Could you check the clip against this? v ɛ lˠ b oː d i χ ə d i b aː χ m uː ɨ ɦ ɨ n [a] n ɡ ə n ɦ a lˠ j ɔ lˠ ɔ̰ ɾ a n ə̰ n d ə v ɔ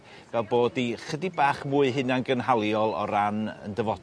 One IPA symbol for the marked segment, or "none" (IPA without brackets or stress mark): a